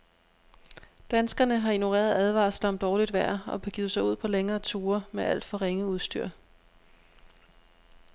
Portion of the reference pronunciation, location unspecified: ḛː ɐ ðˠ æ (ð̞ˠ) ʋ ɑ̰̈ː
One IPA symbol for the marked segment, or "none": ð̞ˠ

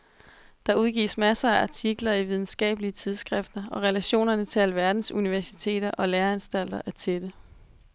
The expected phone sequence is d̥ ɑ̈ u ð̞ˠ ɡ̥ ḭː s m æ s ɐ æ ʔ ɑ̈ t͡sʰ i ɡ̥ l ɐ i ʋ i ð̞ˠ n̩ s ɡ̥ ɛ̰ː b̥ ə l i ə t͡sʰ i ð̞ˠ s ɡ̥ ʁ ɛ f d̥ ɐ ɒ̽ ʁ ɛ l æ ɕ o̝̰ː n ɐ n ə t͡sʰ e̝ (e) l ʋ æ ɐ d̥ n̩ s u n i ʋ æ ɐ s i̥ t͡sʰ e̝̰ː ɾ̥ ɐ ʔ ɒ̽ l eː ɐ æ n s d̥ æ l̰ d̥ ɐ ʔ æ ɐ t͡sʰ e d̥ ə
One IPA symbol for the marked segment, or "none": æ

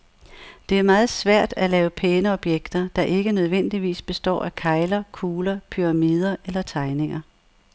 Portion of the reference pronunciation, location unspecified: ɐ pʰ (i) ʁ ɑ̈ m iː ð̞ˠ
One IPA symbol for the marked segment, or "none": y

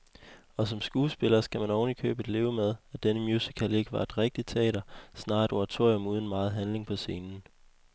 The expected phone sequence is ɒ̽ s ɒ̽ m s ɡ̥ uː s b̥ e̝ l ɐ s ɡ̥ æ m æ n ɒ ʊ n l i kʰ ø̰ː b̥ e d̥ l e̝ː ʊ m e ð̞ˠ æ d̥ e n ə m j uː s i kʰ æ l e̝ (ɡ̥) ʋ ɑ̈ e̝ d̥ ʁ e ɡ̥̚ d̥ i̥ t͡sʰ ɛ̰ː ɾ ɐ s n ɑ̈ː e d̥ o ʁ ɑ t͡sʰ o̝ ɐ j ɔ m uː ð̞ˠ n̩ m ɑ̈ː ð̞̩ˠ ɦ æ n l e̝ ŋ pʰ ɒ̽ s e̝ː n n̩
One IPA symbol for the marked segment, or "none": ɡ̥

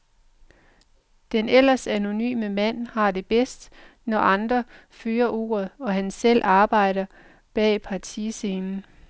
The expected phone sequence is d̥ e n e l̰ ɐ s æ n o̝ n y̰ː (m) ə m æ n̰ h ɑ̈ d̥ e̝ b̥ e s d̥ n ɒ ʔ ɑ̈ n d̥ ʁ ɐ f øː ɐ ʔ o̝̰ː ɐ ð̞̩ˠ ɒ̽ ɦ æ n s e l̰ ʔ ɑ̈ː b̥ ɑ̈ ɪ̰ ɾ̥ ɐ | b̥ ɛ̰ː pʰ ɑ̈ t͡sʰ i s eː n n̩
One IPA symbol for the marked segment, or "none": m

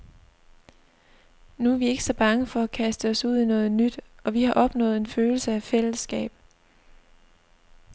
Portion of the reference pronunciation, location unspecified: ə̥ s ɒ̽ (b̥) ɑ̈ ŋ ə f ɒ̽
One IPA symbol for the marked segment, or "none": b̥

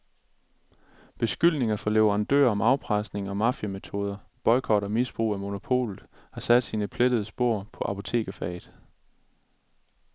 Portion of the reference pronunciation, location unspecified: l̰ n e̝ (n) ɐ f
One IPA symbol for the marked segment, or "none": ŋ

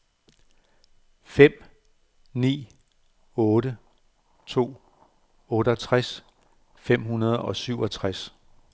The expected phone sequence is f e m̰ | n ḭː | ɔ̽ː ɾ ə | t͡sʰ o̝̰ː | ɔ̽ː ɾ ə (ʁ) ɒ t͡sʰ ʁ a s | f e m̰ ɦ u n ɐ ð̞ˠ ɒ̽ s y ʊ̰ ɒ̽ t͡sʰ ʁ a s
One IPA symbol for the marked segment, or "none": none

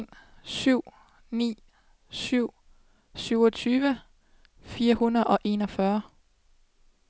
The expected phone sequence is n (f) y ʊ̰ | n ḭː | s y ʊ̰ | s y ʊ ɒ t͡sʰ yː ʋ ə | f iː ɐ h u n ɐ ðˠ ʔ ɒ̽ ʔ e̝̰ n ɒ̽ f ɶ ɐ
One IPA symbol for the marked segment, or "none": s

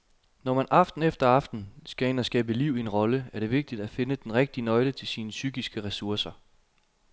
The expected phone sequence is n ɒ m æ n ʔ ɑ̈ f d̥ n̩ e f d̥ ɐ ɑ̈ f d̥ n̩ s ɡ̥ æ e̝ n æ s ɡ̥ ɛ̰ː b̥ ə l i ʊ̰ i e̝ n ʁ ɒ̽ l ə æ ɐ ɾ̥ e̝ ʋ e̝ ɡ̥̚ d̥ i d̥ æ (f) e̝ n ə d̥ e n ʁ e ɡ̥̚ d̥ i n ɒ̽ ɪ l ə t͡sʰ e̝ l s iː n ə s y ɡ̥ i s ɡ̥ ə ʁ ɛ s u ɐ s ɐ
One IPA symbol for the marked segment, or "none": f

